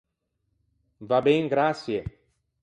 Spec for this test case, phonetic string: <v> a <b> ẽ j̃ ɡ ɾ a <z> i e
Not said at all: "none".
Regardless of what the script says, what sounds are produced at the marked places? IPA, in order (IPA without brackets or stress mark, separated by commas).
v, b, s